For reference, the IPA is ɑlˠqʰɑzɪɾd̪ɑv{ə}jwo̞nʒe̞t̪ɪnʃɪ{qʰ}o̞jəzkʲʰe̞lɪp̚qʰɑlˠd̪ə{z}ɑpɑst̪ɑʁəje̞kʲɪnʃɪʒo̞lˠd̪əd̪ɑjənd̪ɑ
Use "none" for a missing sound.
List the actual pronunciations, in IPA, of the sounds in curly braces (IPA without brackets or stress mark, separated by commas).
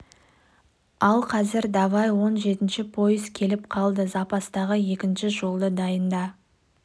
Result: ɑ, pʰ, z